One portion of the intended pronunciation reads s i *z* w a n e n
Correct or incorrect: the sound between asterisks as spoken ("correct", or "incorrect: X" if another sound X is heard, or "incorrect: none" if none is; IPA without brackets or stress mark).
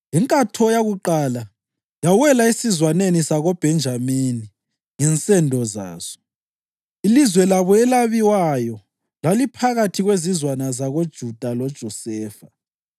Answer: correct